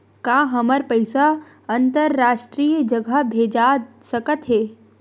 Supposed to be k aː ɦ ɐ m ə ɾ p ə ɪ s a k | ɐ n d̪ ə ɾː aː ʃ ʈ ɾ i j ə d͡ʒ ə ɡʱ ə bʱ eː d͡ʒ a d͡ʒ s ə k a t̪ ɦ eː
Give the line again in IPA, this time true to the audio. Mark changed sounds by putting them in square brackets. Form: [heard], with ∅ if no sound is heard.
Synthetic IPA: k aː ɦ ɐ m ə ɾ p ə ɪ s a [∅] | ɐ n [t̪] ə ɾː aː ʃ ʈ ɾ i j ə d͡ʒ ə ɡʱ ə bʱ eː d͡ʒ a [∅] s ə k [ə] t̪ ɦ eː